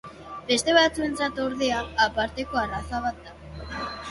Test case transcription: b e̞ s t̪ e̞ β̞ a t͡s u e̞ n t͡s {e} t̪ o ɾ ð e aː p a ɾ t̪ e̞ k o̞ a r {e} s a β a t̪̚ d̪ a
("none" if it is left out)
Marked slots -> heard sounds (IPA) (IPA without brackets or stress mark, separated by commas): a, a